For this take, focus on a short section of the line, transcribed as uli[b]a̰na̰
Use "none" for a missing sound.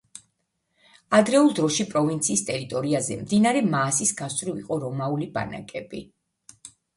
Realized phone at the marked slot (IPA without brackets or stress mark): b